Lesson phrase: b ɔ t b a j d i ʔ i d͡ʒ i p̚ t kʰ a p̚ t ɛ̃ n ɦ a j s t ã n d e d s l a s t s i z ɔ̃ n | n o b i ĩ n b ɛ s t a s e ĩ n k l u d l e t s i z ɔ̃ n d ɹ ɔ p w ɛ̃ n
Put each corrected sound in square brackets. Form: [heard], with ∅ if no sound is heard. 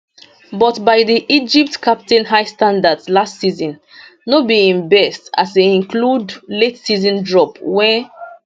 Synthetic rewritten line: b ɔ t b a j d i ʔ i d͡ʒ i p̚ t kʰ a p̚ t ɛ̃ n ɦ a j s t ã n d [a] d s l a s t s i z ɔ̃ n | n o b i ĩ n b ɛ s t a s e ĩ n k l u d l e t s i z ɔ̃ n d ɹ ɔ p w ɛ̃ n